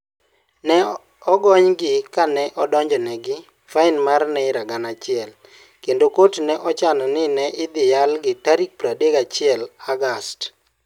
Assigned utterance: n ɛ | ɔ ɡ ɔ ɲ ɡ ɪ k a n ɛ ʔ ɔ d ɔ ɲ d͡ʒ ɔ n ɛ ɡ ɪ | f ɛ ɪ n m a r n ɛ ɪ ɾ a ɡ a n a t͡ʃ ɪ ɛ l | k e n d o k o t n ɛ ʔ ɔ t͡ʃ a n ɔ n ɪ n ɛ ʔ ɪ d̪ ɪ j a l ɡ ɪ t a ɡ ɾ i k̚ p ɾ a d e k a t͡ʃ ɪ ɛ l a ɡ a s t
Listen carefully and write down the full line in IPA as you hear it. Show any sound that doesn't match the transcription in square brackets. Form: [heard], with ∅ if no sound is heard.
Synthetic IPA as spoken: n ɛ | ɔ ɡ ɔ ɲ ɡ ɪ k a n ɛ ʔ ɔ d ɔ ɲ d͡ʒ ɔ n ɛ ɡ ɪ | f [a] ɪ n m a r n ɛ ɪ ɾ a ɡ a n a t͡ʃ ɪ ɛ l | k e n d o k o t n ɛ ʔ ɔ t͡ʃ a n ɔ n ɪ n ɛ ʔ ɪ d̪ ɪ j a l ɡ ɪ t a [∅] ɾ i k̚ p ɾ a d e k a t͡ʃ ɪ ɛ l a ɡ a s t